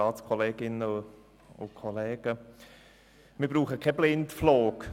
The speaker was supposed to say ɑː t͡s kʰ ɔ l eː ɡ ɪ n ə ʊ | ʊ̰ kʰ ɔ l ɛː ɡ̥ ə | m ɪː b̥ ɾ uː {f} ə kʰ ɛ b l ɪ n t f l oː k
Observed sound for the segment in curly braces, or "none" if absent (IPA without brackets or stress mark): χ